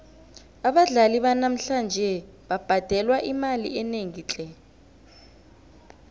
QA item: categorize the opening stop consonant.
implosive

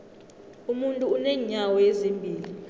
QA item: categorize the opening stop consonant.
ejective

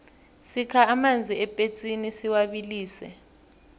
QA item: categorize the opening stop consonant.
aspirated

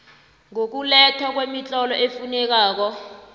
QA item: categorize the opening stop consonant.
plain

